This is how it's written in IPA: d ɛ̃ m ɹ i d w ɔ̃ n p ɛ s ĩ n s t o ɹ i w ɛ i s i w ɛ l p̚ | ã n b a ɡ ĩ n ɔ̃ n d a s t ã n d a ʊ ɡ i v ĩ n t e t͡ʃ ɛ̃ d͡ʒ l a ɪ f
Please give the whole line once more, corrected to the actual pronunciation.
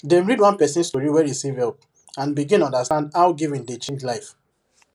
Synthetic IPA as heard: d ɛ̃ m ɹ i d w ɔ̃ n p ɛ s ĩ n s t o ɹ i w ɛ i s i v ɛ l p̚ | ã n b i ɡ ĩ n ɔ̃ n d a s t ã n d a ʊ ɡ i v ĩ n d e t͡ʃ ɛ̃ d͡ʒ l a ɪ f